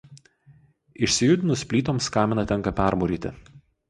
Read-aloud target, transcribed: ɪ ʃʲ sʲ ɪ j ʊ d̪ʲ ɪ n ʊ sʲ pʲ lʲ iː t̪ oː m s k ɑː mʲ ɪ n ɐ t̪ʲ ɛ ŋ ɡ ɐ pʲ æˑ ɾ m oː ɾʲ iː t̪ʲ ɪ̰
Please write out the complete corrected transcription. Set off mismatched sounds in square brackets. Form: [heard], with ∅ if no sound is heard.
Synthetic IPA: ɪ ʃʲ sʲ ɪ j ʊ d̪ʲ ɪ n ʊ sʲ pʲ lʲ iː t̪ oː m s k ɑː mʲ ɪ n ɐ t̪ʲ ɛ ŋ [k] ɐ pʲ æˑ ɾ m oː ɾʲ iː t̪ʲ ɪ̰